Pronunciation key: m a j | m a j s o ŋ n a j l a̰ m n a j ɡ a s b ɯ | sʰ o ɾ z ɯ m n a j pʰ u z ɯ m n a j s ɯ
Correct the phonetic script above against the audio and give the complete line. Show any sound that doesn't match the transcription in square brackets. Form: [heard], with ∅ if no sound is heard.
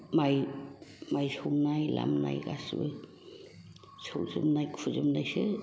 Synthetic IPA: m a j | m a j s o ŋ n a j l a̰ m n a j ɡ a s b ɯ | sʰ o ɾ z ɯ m n a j [kʰ] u z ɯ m n a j s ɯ